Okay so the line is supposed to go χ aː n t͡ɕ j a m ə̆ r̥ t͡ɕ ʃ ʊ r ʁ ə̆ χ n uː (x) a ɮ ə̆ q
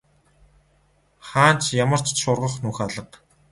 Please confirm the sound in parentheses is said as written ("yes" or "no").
yes